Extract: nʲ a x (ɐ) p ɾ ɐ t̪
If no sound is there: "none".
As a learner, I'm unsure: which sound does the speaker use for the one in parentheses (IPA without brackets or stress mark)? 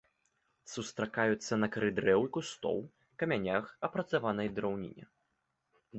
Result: ɐ